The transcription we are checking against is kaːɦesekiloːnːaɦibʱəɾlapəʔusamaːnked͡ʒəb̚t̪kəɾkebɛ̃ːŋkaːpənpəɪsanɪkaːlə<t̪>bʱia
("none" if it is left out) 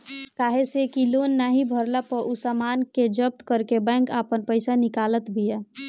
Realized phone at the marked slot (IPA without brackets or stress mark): t̪